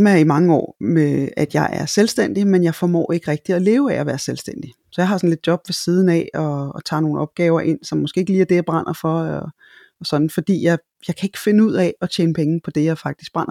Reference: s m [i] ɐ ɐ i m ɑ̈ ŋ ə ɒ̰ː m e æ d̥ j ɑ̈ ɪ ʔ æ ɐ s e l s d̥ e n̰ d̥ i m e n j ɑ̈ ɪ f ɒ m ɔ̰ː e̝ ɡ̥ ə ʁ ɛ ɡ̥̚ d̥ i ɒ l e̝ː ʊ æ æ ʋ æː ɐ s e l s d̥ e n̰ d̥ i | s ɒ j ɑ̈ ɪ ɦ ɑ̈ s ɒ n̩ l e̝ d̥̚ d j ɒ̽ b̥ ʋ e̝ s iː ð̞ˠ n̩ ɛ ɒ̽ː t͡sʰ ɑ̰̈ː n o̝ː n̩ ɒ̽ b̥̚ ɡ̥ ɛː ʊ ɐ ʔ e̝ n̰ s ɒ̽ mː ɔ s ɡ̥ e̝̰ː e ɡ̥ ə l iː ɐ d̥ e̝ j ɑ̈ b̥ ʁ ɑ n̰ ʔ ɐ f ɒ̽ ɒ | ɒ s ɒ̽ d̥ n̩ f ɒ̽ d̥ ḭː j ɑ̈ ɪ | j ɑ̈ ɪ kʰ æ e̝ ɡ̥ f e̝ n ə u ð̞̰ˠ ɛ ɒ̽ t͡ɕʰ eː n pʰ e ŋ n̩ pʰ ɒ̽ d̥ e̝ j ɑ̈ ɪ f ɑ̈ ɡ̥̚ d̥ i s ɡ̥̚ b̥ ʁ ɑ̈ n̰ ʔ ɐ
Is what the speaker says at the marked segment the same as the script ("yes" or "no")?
no